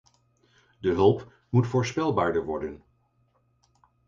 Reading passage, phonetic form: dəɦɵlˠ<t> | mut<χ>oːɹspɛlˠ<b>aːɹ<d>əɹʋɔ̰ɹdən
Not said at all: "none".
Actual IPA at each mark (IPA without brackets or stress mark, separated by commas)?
p, f, b, d